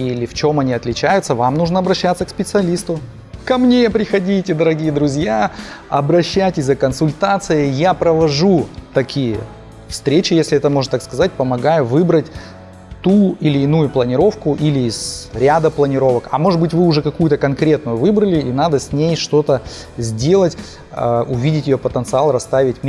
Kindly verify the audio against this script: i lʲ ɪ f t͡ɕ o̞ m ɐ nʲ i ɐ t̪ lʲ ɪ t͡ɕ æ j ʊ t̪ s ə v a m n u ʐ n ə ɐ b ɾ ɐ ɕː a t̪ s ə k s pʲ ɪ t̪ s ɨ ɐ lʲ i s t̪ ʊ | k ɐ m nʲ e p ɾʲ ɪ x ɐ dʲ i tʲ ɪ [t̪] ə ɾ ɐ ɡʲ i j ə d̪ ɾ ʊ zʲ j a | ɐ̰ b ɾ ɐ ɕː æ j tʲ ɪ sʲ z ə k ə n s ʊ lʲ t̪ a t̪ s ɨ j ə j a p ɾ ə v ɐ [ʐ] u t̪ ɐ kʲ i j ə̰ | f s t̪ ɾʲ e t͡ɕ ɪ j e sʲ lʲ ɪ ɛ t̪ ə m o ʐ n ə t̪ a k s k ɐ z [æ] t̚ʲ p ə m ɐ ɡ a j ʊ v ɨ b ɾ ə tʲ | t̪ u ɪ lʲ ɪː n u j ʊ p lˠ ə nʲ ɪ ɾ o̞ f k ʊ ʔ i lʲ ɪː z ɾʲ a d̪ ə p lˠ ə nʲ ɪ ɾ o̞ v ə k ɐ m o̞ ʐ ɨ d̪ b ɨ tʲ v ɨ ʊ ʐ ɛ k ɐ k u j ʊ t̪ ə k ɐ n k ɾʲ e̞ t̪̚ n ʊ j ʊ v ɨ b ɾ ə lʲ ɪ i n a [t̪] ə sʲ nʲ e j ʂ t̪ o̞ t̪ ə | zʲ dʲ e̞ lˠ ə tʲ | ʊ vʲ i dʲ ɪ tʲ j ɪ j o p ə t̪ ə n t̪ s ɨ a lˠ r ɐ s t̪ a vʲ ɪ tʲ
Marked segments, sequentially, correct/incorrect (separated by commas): incorrect, correct, incorrect, incorrect